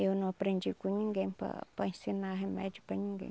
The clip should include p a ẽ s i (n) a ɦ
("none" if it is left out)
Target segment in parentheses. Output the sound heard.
n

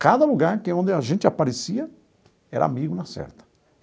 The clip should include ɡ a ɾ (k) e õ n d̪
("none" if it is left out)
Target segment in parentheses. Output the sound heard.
k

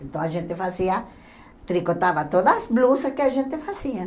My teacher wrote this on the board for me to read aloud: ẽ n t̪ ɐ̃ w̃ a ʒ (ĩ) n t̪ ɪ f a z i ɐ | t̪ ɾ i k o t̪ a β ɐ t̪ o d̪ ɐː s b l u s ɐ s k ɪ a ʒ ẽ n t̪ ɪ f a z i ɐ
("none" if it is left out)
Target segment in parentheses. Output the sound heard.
ẽ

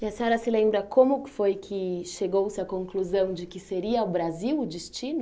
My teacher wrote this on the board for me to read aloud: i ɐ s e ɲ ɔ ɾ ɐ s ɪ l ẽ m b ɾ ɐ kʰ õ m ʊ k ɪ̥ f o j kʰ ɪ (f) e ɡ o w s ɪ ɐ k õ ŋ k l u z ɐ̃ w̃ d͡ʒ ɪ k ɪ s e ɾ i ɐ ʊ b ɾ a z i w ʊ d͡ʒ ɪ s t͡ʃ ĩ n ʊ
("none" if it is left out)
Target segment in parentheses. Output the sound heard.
ʃ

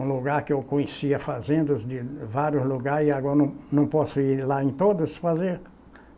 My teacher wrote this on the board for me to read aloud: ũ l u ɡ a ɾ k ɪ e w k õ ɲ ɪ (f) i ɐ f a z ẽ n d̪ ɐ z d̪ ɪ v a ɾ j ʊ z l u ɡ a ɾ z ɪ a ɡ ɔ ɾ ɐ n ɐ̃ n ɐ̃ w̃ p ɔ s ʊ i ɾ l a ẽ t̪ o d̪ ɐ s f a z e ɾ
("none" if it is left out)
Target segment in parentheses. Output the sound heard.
s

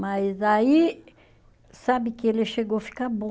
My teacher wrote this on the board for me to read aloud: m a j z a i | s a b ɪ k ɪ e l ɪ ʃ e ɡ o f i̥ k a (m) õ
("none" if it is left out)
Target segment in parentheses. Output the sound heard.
b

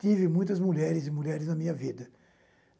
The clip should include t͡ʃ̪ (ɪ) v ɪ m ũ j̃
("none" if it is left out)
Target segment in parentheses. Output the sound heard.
i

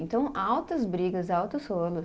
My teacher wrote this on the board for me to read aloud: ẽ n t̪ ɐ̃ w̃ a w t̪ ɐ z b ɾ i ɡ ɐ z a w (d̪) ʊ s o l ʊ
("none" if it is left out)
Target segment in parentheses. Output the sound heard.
t̪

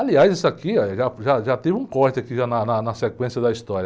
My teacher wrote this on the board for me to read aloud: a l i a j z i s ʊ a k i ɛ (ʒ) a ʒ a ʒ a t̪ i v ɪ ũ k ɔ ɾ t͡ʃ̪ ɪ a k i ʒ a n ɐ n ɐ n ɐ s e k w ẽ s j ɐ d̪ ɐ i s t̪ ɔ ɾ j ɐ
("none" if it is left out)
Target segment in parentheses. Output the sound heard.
ʒ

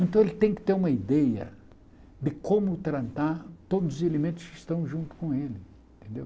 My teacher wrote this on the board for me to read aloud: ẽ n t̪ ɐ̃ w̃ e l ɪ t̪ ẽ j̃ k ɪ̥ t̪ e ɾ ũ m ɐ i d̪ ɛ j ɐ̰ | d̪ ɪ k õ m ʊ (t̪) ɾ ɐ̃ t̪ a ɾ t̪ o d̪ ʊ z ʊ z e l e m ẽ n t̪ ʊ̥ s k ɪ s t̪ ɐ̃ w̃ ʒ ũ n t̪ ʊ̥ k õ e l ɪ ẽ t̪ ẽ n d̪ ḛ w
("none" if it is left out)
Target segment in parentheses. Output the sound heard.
t̪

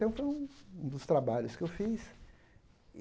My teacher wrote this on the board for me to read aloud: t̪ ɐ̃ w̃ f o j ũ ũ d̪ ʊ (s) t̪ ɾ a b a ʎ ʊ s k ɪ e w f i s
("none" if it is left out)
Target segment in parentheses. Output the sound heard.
s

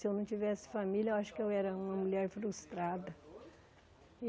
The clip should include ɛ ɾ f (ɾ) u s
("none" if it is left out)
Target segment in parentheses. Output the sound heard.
ɾ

